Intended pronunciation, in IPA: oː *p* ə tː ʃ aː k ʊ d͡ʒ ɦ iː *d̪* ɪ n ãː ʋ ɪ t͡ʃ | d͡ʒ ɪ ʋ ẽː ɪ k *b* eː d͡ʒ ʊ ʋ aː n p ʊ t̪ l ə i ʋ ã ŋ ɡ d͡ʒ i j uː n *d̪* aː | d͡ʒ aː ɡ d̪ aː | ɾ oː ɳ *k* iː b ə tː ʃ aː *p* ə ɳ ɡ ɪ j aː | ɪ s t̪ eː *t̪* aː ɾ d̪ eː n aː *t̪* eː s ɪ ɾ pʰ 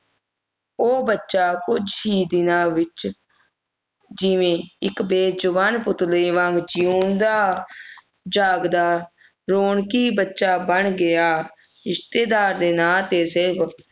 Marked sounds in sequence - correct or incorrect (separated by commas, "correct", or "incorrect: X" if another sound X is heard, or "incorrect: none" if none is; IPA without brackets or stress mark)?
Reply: incorrect: b, correct, correct, correct, correct, incorrect: b, incorrect: d̪, correct